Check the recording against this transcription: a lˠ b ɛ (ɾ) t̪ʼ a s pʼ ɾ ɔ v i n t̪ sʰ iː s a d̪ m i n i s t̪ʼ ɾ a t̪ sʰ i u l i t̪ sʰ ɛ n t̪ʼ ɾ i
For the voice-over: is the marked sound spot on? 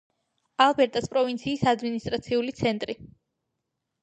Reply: yes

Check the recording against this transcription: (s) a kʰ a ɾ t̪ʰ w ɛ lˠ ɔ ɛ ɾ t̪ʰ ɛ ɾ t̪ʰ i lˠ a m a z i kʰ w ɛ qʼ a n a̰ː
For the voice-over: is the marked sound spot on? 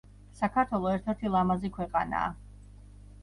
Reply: yes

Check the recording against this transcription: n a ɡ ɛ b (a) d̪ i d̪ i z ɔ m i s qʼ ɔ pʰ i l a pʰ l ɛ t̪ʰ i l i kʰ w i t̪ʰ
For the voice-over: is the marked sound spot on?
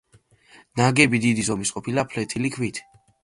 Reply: no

